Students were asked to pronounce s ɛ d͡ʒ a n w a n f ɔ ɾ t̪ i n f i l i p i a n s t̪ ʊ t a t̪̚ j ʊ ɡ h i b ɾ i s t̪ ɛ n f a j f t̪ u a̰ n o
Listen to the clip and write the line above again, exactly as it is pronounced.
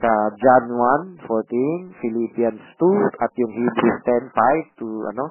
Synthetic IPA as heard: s a d͡ʒ a n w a n f ɔ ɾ t̪ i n f i l i p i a n s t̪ u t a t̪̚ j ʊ ŋ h i b ɾ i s t̪ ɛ n f a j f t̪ u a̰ n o